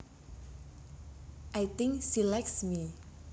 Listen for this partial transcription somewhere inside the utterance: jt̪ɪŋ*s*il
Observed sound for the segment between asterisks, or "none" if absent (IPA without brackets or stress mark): s